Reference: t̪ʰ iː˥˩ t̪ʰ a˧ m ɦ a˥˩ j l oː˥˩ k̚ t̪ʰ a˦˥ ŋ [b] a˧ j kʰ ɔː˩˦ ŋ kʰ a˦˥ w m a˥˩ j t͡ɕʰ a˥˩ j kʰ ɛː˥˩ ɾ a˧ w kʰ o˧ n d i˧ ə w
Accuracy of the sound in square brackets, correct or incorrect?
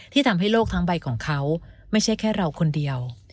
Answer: correct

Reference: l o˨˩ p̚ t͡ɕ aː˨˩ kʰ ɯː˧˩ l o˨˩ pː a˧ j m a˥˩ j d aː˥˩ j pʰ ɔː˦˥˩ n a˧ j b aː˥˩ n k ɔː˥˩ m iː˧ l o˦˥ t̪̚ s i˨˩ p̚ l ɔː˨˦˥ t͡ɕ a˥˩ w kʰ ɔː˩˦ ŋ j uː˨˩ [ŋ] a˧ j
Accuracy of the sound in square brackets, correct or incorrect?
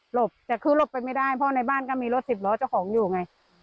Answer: correct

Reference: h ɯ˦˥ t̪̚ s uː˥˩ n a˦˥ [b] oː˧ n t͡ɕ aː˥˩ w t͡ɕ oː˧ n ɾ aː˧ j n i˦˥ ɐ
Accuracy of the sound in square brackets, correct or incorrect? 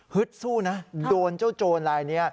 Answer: incorrect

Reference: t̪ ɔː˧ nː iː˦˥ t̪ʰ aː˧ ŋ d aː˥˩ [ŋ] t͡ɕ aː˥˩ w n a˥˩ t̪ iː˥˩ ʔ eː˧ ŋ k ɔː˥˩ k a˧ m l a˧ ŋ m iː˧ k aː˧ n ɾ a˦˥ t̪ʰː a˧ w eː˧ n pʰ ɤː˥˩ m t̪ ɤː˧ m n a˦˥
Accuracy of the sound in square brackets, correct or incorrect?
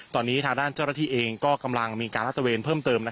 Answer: incorrect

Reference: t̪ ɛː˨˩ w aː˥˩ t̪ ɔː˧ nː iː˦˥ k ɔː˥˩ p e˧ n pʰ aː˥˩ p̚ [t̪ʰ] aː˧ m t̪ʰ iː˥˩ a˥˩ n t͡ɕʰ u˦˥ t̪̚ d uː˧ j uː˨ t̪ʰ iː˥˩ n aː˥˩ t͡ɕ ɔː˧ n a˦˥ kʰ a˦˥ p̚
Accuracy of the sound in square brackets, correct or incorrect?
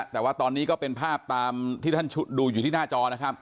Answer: incorrect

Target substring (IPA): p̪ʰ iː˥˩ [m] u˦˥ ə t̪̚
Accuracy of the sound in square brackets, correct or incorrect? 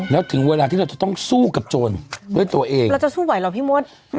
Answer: correct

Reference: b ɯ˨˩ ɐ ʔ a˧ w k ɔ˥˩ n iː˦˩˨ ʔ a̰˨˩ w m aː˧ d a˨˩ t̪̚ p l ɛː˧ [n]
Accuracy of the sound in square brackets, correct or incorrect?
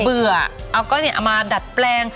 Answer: incorrect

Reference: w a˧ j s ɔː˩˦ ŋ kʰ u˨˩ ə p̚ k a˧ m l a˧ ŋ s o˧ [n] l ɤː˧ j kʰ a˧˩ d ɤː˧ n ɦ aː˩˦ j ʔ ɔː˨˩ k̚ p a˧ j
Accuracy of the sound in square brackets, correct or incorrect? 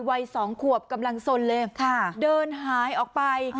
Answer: correct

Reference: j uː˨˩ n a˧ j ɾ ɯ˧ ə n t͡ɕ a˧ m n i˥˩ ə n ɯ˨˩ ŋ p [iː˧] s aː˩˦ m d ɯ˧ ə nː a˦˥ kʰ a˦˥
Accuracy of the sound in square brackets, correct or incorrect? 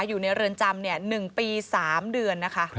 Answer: correct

